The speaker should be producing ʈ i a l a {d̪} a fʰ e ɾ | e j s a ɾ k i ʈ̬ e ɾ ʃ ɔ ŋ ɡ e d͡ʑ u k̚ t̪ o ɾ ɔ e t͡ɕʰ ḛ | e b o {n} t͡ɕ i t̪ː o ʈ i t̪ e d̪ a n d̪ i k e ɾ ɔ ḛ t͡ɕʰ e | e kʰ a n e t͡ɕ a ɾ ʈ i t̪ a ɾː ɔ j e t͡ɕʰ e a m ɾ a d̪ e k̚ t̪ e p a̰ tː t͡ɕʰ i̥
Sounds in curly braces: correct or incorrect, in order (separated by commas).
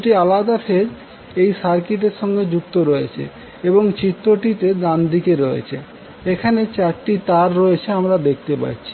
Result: correct, incorrect